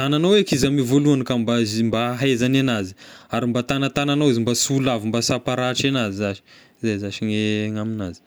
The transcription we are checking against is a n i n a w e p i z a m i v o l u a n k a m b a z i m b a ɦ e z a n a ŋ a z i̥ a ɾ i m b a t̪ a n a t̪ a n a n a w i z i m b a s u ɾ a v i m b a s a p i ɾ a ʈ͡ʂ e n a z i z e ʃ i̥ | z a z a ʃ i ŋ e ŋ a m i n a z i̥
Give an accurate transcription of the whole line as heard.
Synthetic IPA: a n a n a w e k i z a m i v o l u a n k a m b a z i m b a ɦ e z a n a n a z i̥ a ɾ i m b a t̪ a n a t̪ a n a n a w i z i m b a s u l a v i m b a s a p a ɾ a ʈ͡ʂ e n a z i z a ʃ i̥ | z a z a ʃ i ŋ e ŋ a m i n a z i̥